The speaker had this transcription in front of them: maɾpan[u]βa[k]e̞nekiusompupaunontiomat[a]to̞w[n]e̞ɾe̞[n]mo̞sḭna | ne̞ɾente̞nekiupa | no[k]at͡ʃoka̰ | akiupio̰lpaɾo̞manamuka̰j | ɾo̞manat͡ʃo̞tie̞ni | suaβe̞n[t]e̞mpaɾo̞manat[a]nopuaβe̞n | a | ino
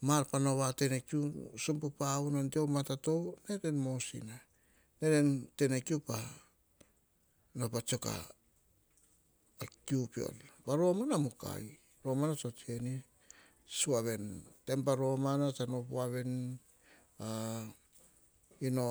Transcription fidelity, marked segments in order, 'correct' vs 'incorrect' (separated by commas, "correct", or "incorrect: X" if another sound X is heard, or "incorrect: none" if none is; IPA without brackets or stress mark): incorrect: o, incorrect: t, correct, correct, correct, incorrect: p, correct, correct